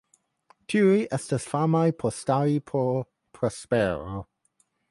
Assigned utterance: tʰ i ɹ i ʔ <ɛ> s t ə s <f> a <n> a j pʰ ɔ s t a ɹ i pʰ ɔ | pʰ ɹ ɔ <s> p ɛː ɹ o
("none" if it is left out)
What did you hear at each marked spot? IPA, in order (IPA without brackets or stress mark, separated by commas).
ɛ, f, m, s